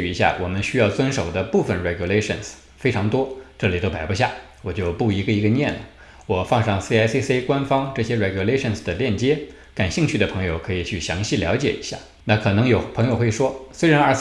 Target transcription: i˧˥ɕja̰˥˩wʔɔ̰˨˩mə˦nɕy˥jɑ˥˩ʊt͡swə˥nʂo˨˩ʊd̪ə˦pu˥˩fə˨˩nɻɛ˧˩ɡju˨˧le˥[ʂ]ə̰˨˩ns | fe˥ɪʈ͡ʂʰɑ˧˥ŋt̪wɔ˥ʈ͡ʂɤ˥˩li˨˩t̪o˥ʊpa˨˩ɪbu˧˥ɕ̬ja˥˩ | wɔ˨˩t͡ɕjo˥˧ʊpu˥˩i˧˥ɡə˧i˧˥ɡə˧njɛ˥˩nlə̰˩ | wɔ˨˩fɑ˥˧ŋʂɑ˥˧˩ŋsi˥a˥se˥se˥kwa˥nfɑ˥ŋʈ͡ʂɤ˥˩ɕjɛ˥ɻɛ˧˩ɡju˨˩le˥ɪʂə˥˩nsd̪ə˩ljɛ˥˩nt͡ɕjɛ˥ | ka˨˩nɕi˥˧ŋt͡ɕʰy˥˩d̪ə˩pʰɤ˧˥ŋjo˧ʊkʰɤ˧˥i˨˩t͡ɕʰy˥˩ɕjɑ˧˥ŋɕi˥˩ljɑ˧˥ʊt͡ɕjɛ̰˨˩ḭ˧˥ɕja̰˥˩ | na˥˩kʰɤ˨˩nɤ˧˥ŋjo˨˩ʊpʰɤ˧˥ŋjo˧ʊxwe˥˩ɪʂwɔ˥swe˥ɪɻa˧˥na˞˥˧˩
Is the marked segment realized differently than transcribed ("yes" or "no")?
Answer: no